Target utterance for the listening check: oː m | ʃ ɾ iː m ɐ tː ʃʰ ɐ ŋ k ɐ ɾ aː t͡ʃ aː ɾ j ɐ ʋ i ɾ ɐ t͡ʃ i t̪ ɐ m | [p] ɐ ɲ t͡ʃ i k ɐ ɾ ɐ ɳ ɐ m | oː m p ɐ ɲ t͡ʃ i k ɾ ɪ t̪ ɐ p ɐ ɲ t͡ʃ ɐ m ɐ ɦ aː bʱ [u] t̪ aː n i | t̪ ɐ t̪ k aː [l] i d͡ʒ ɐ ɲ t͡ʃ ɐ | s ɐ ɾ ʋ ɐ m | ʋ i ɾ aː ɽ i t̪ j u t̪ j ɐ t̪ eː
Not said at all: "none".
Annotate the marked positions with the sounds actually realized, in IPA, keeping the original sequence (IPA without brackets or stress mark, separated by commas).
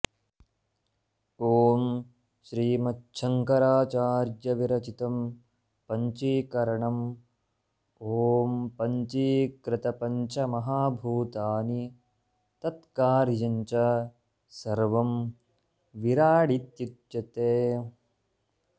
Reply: p, uː, ɾ